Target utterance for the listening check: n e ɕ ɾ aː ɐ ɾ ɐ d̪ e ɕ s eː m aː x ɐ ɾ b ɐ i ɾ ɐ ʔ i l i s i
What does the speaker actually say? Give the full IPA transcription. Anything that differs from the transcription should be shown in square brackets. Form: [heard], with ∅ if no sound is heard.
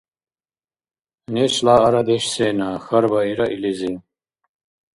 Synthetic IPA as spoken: n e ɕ [l] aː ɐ ɾ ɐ d̪ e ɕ s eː [n] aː x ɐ ɾ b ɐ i ɾ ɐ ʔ i l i [z] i

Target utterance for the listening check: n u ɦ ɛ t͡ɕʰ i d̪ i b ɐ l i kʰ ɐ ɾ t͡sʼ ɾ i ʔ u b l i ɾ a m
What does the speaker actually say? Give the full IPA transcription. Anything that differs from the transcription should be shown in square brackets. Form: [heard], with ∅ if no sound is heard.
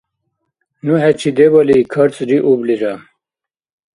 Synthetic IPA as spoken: n u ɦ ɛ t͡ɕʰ i d̪ [e] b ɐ l i kʰ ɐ ɾ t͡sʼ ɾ i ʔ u b l i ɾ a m

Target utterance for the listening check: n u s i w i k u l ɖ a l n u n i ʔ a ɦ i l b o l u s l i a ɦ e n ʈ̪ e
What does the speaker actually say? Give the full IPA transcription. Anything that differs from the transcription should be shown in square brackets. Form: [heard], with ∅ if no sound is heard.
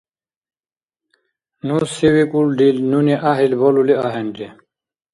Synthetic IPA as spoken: n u s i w i k u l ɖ [i] l n u n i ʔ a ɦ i l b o l u [∅] l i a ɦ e n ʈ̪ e

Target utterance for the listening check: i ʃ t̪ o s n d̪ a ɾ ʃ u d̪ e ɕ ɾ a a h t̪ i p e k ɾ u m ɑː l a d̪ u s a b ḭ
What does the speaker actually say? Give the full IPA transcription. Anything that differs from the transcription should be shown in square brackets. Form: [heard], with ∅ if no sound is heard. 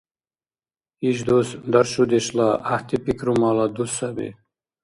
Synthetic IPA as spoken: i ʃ [d̪] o s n d̪ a ɾ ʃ u d̪ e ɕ [l] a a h t̪ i p [i] k ɾ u m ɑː l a d̪ u s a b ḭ

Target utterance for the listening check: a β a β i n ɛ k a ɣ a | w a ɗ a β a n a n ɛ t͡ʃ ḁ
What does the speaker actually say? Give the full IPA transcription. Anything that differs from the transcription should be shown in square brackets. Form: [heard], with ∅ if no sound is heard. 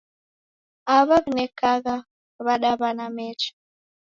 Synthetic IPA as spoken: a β a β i n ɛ k a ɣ a | [β] a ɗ a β a n a [m] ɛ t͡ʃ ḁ

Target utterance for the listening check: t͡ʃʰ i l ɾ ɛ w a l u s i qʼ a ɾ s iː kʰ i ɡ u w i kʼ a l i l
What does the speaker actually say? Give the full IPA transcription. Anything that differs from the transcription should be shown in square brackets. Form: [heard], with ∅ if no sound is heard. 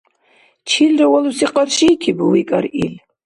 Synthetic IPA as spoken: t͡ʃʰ i l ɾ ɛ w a l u s i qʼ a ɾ [ʃ] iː kʰ i [b] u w i kʼ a [ɾ] i l

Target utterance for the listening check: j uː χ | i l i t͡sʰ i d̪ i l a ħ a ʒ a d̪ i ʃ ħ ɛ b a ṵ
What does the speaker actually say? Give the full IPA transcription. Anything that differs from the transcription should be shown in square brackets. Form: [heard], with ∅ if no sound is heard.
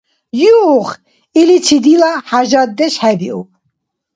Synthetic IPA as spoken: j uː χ | i l i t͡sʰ i d̪ i l a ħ a ʒ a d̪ [ɛ] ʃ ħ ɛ b [i] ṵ

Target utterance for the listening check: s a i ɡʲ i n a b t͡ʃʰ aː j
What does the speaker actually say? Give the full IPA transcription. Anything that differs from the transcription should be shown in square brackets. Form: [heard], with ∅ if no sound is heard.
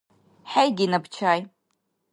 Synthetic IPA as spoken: [ħ] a [j] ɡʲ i n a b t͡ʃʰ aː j

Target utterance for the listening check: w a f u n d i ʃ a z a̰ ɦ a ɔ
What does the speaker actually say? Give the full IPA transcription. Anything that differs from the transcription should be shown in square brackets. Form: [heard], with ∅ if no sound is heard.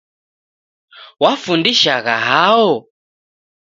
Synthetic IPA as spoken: w a f u n d i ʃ a [ɣ] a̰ ɦ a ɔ

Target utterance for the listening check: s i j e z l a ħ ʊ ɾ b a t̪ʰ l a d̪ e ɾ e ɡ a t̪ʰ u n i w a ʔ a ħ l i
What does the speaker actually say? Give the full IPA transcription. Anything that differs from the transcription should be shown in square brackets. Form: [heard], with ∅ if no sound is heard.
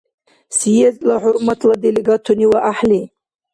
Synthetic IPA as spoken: s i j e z l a ħ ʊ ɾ [m] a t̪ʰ l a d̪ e [l] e ɡ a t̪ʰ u n i w a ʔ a ħ l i

